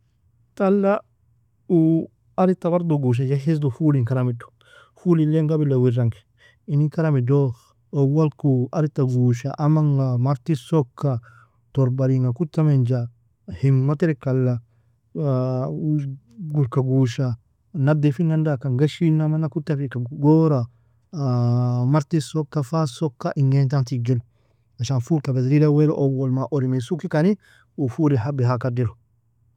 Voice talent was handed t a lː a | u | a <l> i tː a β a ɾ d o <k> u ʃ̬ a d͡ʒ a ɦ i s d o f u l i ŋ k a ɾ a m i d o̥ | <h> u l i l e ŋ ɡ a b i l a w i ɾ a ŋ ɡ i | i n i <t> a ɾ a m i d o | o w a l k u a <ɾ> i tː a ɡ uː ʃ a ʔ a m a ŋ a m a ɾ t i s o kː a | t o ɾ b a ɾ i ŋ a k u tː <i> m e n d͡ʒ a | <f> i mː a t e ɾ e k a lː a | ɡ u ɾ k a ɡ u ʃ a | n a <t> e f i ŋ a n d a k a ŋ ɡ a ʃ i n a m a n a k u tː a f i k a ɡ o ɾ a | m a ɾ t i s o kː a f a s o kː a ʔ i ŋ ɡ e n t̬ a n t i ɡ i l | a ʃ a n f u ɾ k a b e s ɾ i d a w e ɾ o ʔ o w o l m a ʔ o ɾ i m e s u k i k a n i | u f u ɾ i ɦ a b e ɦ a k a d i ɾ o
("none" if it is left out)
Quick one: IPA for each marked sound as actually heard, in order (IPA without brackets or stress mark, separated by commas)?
ɾ, ɡ, f, k, ɾ, a, h, d